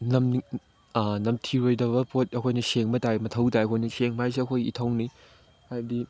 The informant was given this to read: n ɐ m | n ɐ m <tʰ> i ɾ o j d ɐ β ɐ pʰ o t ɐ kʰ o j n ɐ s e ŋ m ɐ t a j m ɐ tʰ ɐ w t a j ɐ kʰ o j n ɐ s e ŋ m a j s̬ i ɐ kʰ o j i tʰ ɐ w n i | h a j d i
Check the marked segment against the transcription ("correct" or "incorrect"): correct